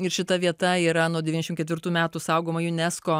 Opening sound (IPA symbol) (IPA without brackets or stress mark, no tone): ɪ